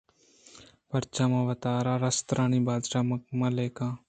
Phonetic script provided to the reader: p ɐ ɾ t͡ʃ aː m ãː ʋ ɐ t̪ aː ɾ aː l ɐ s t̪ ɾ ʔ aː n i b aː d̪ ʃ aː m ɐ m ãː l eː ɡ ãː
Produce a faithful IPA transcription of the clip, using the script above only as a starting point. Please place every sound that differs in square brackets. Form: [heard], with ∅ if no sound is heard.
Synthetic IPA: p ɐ ɾ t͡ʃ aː m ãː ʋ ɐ t̪ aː ɾ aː [ɾ] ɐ s t̪ ɾ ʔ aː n i b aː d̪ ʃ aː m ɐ m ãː l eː [k] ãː

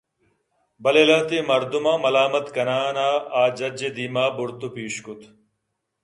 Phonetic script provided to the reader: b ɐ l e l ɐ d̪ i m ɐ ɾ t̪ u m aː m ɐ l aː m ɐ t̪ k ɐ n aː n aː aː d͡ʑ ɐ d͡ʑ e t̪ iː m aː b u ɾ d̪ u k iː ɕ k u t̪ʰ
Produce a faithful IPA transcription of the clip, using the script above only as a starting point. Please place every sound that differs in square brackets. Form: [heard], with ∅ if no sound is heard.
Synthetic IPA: b ɐ l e l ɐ [t̪] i m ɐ ɾ [d̪] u m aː m ɐ l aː m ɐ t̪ k ɐ n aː n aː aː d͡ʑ ɐ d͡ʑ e [d̪] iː m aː b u ɾ [t̪] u [p] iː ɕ k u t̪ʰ

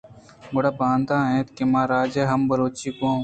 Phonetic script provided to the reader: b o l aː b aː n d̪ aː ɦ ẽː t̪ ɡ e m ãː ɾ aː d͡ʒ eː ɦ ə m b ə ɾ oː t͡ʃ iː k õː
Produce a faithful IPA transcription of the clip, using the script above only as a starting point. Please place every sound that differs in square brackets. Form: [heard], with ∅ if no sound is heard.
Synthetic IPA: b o [ɽ] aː b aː n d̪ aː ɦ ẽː t̪ [k] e m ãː ɾ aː d͡ʒ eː ɦ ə m b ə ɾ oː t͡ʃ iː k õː

